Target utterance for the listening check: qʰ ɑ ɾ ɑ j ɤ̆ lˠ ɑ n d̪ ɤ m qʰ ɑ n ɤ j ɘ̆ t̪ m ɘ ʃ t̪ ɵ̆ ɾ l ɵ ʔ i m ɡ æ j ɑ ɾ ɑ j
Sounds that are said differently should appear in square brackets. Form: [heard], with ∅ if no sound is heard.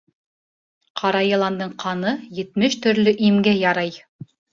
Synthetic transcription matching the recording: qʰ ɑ ɾ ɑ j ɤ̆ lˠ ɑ n d̪ ɤ [ɴ] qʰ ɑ n ɤ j ɘ̆ t̪ m ɘ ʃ t̪ ɵ̆ ɾ l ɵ ʔ i m ɡ æ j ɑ ɾ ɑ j